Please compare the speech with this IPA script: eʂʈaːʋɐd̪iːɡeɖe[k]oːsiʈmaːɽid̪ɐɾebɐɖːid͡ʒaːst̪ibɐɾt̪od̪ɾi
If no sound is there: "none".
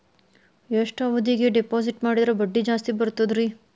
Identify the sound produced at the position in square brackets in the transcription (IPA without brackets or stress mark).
p